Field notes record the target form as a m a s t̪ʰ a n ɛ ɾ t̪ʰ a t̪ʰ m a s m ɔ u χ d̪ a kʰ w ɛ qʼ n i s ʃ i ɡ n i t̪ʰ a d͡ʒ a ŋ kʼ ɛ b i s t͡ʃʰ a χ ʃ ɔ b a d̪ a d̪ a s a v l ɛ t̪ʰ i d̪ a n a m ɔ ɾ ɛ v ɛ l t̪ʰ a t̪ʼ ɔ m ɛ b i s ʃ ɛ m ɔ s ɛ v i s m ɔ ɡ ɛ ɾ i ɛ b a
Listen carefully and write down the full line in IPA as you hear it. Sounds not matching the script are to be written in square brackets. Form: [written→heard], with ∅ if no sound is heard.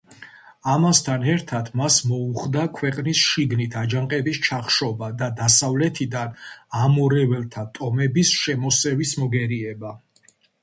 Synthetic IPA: a m a s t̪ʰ a n ɛ ɾ t̪ʰ a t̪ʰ m a s m ɔ u χ d̪ a kʰ w ɛ qʼ n i s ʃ i ɡ n i t̪ʰ a d͡ʒ a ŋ [kʼ→qʼ] ɛ b i s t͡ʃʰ a χ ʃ ɔ b a d̪ a d̪ a s a v l ɛ t̪ʰ i d̪ a n a m ɔ ɾ ɛ v ɛ l t̪ʰ a t̪ʼ ɔ m ɛ b i s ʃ ɛ m ɔ s ɛ v i s m ɔ ɡ ɛ ɾ i ɛ b a